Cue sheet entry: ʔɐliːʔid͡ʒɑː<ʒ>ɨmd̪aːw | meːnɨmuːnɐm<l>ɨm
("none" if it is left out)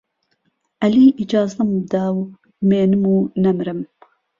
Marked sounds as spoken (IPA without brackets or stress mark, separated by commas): z, ɾ